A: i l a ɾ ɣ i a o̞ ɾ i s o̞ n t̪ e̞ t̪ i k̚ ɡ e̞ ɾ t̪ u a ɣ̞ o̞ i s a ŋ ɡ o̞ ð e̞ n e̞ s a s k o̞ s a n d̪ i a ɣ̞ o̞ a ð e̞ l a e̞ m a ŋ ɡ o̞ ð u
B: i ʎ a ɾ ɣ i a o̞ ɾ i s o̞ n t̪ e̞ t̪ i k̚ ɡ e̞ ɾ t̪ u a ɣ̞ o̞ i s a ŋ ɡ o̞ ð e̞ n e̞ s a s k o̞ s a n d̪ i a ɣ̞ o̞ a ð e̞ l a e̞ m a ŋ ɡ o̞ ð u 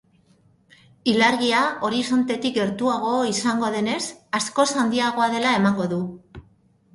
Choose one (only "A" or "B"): A